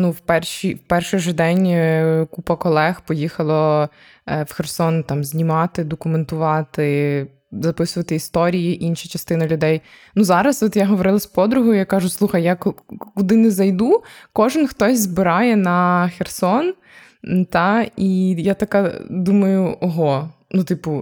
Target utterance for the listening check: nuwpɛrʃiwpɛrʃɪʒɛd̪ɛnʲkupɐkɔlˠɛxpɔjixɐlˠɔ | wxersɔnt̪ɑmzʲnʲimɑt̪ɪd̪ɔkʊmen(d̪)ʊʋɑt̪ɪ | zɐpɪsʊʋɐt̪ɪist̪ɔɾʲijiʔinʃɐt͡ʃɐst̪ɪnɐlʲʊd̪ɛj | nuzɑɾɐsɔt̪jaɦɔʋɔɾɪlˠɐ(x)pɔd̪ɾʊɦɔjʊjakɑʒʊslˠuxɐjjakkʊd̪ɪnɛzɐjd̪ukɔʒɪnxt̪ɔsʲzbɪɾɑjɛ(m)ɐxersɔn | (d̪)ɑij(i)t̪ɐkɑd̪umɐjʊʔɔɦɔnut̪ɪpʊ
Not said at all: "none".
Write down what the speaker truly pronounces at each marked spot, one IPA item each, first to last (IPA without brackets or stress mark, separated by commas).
t̪, s, n, t̪, a